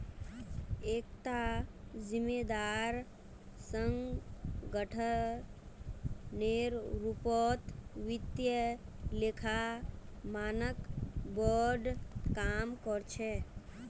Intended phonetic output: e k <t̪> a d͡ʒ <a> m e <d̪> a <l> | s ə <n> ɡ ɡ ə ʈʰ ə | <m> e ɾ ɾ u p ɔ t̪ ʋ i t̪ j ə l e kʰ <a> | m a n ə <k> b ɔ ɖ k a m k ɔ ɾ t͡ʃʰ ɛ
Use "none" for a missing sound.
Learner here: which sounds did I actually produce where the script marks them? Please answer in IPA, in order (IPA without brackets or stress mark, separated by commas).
t̪, i, d̪, ɾ, ŋ, n, a, k